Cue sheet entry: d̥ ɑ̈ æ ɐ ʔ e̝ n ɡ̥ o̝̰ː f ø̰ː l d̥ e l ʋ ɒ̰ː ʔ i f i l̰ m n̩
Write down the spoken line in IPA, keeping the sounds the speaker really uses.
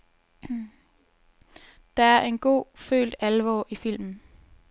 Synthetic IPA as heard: d̥ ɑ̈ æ ɐ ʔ e̝ n ɡ̥ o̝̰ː f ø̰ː l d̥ æ l ʋ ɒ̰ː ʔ i f i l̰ m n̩

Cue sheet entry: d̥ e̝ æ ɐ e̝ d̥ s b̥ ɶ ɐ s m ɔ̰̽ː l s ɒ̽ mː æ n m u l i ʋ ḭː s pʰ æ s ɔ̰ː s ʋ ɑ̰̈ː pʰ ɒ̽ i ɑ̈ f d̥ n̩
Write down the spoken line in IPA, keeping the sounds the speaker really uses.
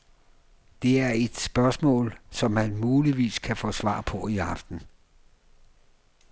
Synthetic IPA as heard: d̥ e̝ æ ɐ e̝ d̥ s b̥ ɶ ɐ s m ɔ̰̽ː l s ɒ̽ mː æ n m uː l i ʋ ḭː s kʰ æ f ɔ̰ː s ʋ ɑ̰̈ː pʰ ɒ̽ i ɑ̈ f d̥ n̩

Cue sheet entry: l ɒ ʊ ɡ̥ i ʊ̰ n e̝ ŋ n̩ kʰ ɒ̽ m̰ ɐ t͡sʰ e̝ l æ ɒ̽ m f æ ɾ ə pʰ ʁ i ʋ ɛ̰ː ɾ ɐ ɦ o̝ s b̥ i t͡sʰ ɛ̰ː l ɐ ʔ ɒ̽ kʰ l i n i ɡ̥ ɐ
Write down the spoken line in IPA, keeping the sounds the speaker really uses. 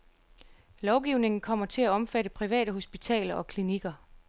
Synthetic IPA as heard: l ɒ ʊ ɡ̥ i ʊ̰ n e̝ ŋ n̩ kʰ ɒ̽ m̰ ɐ t͡sʰ e̝ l æ ɒ̽ m f æ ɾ ə pʰ ʁ i ʋ ɛ̰ː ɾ ə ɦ o̝ s b̥ i t͡sʰ ɛ̰ː l ɐ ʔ ɒ̽ kʰ l i n i ɡ̥ ɐ

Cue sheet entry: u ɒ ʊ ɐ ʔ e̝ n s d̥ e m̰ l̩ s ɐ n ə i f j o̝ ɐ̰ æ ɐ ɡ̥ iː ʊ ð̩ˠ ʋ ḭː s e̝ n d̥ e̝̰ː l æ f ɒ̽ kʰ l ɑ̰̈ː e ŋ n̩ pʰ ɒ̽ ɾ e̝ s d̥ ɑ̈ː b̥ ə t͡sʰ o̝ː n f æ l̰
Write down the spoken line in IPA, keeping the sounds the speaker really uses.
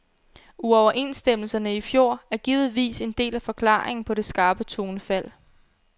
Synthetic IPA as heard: u ɒ ʊ ɐ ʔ e̝ n s d̥ e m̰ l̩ s ɐ n ə i f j o̝ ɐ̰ æ ɐ ɡ̥ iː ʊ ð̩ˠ ʋ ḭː s e̝ n d̥ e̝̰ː l æ f ɒ̽ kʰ l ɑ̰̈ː e ŋ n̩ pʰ ɒ̽ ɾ e̝ s ɡ̥ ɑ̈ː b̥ ə t͡sʰ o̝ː n f æ l̰

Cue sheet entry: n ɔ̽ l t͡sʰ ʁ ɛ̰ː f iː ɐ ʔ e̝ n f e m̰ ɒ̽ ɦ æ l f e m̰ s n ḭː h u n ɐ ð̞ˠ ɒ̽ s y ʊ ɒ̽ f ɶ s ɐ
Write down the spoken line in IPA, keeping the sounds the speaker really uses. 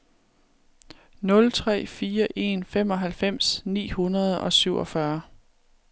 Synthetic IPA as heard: n ɔ̽ l t͡sʰ ʁ ɛ̰ː f iː ɐ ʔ e̝ n f e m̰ ɒ̽ ɦ æ l f e m̰ s n ḭː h u n ɐ ð̞ˠ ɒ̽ s y ʊ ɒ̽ f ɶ ɐ

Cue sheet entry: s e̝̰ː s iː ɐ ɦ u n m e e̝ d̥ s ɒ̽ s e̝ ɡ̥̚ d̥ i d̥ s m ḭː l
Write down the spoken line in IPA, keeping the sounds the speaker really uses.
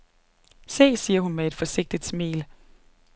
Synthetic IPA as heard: s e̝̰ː s iː ɐ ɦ u n m e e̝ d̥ f ɒ̽ s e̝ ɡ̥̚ d̥ i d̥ s m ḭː l

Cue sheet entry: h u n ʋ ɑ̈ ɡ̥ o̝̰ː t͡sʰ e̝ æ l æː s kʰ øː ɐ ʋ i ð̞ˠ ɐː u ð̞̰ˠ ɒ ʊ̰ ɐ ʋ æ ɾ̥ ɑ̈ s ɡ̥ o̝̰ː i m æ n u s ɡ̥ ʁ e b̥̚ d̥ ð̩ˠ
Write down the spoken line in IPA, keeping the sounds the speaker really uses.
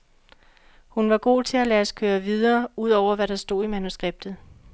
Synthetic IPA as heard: h u n ʋ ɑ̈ ɡ̥ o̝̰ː t͡sʰ e̝ æ l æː s kʰ øː ɐ ʋ i ð̞ˠ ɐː u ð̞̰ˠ ɒ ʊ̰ ɐ ʋ æ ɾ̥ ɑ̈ s d̥ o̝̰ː i m æ n u s ɡ̥ ʁ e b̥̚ d̥ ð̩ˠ

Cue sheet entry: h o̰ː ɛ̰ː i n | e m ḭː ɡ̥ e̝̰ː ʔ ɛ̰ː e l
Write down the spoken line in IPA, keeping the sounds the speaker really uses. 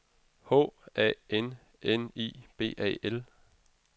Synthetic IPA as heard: h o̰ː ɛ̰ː e n | e n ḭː b̥ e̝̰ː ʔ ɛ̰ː e l

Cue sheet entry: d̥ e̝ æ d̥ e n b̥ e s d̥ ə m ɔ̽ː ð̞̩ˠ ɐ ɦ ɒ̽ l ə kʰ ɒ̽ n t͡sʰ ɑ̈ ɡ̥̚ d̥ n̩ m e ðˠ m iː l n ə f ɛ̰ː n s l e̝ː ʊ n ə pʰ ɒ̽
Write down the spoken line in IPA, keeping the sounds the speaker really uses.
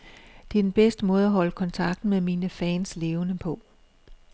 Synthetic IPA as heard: d̥ e̝ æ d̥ e n b̥ e s d̥ ə m ɔ̽ː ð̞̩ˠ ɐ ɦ ɒ̽ l ə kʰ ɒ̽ n t͡sʰ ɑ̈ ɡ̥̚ d̥ n̩ m e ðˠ m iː n ə f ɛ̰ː n s l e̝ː ʊ n ə pʰ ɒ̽

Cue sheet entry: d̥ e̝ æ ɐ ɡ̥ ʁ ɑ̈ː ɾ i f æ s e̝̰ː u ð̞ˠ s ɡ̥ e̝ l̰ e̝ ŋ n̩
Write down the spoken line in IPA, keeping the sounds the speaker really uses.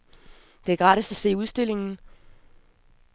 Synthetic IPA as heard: d̥ e̝ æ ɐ ɡ̥ ʁ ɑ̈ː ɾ i s æ s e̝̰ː u ð̞ˠ s d̥ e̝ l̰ e̝ ŋ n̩

